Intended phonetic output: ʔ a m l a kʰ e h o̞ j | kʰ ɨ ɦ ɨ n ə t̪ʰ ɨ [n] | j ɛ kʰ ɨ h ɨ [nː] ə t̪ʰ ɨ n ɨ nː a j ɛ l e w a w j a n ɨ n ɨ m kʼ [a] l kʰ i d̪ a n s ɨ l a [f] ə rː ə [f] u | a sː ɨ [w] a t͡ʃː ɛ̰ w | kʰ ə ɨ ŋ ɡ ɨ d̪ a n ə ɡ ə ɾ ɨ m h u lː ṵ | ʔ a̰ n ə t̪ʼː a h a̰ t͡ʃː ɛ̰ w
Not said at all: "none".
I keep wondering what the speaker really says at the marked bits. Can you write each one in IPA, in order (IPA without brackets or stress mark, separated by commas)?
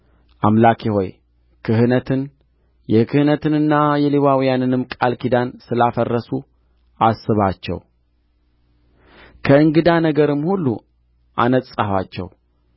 n, n, a, f, s, β